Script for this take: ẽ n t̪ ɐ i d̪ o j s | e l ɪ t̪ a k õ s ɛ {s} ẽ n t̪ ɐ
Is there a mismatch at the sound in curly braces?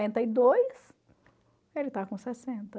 no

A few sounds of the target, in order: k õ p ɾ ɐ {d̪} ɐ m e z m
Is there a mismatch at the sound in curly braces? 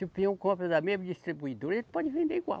no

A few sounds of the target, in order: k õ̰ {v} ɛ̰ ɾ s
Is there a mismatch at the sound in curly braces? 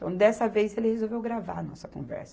no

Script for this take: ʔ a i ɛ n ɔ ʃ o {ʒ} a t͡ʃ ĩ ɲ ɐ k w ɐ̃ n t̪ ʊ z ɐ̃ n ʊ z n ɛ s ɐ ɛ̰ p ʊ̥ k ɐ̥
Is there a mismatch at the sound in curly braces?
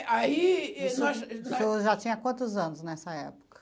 no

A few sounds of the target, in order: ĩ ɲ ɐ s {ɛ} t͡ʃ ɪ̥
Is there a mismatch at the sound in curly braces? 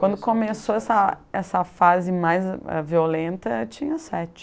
no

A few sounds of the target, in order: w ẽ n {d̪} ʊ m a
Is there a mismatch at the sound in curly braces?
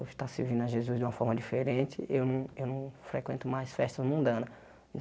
yes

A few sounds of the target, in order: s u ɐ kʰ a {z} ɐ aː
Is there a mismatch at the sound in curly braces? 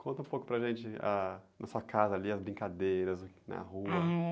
no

